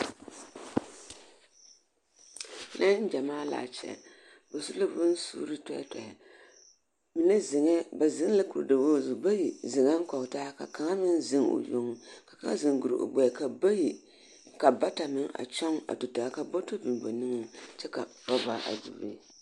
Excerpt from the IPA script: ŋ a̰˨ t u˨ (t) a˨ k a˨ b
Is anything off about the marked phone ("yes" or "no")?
no